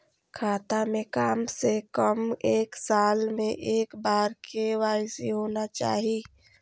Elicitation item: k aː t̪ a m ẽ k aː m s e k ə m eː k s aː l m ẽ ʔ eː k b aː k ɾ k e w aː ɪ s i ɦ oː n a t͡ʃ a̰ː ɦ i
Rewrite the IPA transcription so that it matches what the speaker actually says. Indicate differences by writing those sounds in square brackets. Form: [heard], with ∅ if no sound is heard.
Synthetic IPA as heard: [kʰ] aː t̪ a m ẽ k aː m s e k ə m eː k s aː l m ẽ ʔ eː k b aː [∅] ɾ k e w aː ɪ s i ɦ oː n a t͡ʃ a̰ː ɦ i

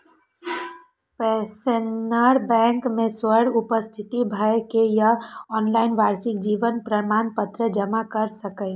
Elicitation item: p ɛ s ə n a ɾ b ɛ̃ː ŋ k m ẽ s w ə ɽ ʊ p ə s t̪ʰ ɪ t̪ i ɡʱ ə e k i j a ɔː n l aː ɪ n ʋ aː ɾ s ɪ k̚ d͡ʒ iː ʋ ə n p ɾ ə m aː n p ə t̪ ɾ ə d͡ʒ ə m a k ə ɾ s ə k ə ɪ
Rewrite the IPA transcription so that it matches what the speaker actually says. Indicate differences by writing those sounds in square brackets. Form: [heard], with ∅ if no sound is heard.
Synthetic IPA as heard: p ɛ s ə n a ɾ b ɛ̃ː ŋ k m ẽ s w ə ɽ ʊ p ə s t̪ʰ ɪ t̪ i [bʱ] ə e k [e] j a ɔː n l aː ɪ n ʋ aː ɾ s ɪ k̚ d͡ʒ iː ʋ ə n p ɾ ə m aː n p ə t̪ ɾ ə d͡ʒ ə m a k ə ɾ s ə k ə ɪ

